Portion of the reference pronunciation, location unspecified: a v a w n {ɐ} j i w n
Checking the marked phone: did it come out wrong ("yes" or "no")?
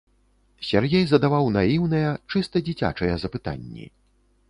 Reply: yes